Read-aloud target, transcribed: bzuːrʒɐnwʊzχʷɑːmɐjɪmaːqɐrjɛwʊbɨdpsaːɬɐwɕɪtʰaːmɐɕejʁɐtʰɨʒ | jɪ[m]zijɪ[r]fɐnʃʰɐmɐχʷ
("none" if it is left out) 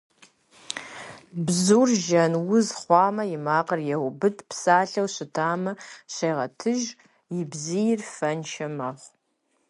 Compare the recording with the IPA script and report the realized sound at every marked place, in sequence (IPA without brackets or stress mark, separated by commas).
b, r